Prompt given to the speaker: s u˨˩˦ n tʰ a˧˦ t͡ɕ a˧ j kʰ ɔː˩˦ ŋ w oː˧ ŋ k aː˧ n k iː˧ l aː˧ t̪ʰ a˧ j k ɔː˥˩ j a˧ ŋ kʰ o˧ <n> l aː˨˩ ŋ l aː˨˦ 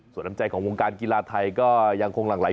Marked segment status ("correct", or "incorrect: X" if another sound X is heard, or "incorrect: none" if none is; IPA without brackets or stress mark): incorrect: ŋ